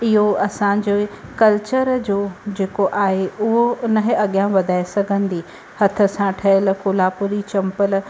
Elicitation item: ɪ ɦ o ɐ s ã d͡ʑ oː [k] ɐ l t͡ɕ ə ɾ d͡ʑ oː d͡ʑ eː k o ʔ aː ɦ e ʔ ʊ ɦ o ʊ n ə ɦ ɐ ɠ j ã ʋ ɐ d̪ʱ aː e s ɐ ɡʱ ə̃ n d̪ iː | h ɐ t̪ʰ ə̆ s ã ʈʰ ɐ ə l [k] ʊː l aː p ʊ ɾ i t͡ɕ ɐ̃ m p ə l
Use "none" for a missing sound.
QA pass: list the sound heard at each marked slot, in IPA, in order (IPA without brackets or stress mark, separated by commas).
k, k